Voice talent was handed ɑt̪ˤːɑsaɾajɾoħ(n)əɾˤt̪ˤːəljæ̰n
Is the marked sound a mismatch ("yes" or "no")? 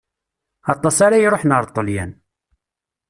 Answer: no